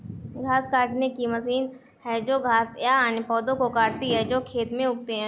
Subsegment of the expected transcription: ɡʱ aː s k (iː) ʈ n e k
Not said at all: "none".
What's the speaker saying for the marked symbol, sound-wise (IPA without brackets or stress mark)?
aː